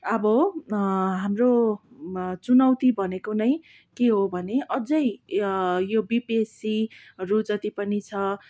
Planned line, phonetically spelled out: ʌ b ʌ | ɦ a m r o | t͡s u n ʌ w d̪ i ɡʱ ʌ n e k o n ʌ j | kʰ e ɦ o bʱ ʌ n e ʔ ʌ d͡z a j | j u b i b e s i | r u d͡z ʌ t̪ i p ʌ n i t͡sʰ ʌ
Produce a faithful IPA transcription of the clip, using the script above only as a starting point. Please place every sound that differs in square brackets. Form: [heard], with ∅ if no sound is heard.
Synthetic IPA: ʌ b ʌ | ɦ a m r o | t͡s u n ʌ w [t̪] i [bʱ] ʌ n e k o n ʌ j | [k] e ɦ o bʱ ʌ n e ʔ ʌ d͡z [ʌ] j | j [o] b i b e s i | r u d͡z ʌ t̪ i p ʌ n i t͡sʰ ʌ